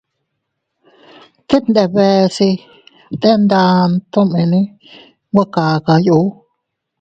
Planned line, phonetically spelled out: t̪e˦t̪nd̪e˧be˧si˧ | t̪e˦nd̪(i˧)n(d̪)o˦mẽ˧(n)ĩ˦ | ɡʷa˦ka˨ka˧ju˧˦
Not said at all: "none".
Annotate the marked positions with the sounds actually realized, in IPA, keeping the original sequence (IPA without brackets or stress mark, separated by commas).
a˧, t̪, n